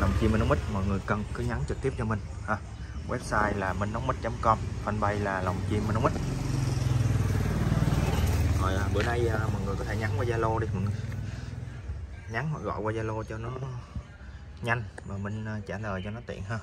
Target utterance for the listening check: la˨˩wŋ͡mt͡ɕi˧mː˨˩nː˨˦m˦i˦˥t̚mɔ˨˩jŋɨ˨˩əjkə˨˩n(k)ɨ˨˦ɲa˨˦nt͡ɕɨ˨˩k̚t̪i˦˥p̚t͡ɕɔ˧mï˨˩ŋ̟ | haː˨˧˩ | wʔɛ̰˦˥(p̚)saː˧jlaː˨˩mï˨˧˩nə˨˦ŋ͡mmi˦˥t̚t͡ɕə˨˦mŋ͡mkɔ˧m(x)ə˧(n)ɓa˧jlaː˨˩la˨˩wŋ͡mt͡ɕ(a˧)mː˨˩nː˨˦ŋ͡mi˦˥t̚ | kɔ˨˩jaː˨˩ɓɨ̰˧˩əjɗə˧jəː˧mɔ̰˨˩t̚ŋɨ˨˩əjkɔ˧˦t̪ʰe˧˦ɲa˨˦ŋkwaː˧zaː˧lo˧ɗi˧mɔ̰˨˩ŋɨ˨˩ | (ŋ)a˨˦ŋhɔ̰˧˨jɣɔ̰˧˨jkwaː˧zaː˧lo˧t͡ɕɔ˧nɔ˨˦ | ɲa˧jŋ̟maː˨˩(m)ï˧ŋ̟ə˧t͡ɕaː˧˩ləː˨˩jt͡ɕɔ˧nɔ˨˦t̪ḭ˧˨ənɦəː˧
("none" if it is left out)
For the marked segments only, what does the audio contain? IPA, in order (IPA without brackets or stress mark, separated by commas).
k, p̚, f, n, i˧, ɲ, m